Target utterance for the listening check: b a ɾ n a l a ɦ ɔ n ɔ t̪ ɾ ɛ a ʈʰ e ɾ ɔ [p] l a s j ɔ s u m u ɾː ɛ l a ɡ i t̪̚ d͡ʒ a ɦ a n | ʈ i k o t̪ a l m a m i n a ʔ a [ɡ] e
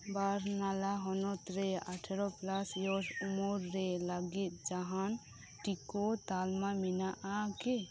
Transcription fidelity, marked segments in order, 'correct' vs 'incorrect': correct, incorrect: k

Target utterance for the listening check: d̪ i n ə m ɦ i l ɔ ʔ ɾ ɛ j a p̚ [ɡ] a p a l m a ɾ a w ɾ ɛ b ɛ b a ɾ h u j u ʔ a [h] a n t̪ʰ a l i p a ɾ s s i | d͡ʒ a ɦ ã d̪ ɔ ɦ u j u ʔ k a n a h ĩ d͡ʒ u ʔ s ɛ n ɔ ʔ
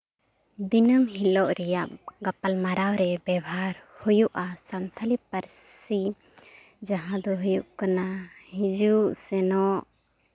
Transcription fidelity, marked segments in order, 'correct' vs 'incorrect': correct, incorrect: s

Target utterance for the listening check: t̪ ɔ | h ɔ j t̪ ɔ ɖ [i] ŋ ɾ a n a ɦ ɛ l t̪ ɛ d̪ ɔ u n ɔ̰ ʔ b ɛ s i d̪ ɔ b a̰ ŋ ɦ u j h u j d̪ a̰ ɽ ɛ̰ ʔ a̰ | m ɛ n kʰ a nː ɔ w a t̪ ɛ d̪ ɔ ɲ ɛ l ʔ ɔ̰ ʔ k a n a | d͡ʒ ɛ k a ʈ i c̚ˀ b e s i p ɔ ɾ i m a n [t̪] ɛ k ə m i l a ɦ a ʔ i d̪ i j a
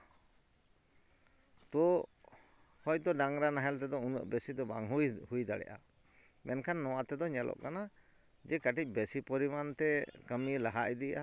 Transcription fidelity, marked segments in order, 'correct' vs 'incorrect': incorrect: a, correct

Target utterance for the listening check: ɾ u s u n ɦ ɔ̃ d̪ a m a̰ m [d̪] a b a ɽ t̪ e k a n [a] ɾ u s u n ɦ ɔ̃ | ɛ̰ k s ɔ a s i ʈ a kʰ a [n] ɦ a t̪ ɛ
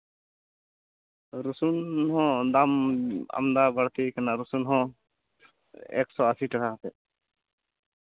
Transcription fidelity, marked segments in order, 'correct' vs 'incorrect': correct, correct, incorrect: none

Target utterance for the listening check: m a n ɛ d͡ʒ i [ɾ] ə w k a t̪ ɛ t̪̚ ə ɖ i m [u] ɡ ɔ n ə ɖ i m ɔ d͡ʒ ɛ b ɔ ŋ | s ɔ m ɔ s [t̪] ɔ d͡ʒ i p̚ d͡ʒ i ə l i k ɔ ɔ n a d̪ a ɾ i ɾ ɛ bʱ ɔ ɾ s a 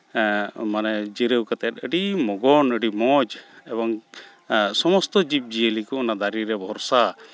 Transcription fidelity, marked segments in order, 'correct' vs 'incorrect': correct, incorrect: ɔ, correct

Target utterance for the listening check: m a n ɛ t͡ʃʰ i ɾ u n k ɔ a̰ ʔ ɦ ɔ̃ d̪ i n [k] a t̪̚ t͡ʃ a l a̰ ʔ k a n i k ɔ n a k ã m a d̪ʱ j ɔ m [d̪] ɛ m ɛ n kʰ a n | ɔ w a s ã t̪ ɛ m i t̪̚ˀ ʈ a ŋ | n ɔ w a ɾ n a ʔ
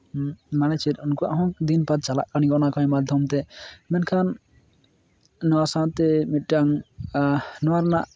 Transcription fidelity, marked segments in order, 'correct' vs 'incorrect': incorrect: p, incorrect: t̪

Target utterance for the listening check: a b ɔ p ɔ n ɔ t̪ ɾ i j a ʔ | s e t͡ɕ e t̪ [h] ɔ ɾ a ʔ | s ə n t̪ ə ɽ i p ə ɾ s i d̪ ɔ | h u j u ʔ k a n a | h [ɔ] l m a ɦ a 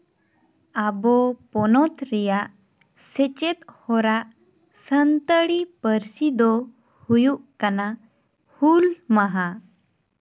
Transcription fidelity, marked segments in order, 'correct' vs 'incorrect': correct, incorrect: u

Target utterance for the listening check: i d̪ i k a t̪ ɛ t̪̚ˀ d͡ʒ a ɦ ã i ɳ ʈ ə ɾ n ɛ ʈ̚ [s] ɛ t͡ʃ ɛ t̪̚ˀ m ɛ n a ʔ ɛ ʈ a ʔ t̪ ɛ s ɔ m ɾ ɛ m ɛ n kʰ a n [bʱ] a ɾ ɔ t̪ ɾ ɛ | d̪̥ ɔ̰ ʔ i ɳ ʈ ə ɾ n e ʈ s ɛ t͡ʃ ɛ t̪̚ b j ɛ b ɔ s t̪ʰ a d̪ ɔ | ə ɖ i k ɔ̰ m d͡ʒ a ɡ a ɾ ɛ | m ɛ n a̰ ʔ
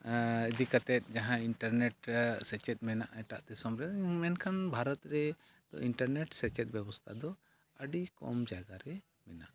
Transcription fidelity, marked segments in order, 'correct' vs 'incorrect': correct, correct

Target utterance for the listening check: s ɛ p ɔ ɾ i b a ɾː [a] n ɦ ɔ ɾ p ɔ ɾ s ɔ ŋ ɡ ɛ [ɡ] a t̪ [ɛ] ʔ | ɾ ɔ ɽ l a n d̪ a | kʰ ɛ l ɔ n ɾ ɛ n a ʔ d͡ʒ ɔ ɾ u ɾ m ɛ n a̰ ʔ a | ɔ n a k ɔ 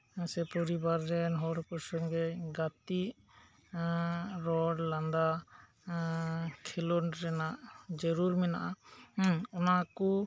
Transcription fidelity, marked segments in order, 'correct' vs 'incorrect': incorrect: ɛ, correct, incorrect: i

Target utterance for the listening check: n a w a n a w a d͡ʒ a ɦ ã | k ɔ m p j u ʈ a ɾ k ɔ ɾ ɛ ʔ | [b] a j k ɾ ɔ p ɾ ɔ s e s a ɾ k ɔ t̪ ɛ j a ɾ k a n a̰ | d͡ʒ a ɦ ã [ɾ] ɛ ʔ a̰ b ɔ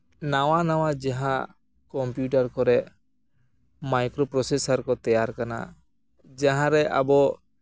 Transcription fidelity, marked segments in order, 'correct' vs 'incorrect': incorrect: m, correct

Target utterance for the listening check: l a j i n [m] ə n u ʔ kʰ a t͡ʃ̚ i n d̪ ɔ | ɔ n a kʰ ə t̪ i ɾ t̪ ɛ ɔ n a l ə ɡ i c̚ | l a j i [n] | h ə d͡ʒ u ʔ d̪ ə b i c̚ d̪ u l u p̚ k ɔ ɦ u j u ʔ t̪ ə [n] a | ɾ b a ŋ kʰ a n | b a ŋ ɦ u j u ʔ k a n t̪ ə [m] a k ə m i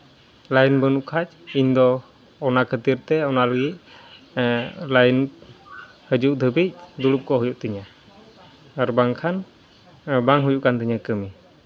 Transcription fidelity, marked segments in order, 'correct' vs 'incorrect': incorrect: b, correct, incorrect: ɲ, incorrect: ɲ

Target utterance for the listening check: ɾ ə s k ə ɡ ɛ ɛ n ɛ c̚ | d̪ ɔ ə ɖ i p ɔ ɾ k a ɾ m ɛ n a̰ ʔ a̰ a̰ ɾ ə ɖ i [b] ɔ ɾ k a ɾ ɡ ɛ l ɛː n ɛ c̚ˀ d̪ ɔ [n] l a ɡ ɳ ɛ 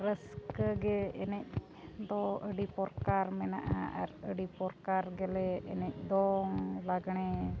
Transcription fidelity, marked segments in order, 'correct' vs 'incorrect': incorrect: p, incorrect: ŋ

